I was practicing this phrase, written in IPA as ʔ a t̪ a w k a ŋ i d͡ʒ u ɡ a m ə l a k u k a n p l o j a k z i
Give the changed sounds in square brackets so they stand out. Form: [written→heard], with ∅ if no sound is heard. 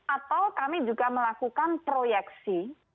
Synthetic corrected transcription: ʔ a t̪ a w k a [ŋ→m] i d͡ʒ u ɡ a m ə l a k u k a n p [l→ɾ] o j [a→ɛ] k [z→s] i